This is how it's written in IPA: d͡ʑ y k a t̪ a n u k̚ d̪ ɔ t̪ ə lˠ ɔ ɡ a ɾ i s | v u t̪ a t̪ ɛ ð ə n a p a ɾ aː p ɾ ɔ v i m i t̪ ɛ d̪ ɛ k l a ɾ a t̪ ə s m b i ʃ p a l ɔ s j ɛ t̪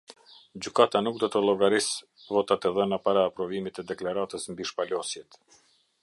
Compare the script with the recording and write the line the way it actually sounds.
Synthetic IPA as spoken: d͡ʑ y k a t̪ a n u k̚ d̪ ɔ t̪ ə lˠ ɔ ɡ a ɾ i s | v ɔ t̪ a t̪ ɛ ð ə n a p a ɾ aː p ɾ ɔ v i m i t̪ ɛ d̪ ɛ k l a ɾ a t̪ ə s m b i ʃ p a l ɔ s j ɛ t̪